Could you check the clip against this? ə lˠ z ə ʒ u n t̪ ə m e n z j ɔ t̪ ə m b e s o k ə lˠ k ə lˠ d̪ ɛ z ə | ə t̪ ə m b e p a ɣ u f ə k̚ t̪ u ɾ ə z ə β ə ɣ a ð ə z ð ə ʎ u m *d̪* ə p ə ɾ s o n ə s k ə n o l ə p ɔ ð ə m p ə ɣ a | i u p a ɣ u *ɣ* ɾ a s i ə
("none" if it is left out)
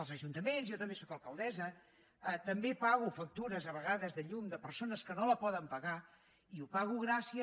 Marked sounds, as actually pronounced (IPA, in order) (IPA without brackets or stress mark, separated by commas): d̪, ɣ